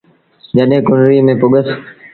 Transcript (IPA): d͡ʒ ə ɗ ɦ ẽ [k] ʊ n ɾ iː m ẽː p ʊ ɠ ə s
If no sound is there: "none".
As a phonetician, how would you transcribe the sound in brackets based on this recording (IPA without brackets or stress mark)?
k